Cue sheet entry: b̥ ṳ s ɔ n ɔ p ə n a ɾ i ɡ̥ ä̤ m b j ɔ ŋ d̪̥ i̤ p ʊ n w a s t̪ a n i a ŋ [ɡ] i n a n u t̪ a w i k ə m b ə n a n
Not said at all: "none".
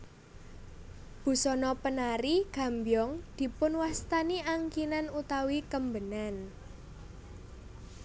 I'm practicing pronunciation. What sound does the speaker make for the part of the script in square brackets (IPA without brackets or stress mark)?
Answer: k